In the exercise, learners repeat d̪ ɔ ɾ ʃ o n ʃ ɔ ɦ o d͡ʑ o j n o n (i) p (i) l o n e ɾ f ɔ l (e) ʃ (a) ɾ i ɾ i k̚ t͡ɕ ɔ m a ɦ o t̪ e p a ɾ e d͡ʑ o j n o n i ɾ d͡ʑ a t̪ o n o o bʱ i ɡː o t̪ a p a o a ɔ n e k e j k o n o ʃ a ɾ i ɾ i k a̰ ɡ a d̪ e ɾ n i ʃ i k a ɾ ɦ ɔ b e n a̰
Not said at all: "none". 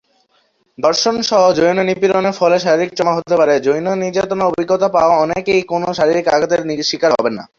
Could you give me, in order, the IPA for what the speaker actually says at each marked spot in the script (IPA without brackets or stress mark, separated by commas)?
i, i, e, a